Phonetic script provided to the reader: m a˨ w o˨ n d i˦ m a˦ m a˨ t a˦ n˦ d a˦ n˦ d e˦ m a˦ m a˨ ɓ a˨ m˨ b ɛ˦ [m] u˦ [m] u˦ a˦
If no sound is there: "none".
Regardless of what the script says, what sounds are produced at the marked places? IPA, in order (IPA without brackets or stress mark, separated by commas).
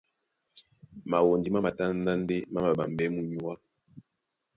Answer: m, ɲ